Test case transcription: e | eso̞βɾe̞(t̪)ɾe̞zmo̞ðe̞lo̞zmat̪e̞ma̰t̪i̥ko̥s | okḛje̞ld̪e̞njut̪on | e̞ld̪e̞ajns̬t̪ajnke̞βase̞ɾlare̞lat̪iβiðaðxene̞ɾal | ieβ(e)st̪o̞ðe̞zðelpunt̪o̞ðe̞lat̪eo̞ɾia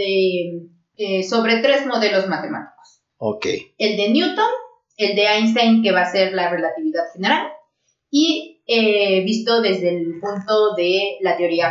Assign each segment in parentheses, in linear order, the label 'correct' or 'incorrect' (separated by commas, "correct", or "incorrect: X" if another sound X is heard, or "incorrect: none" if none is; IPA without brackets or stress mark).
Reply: correct, incorrect: i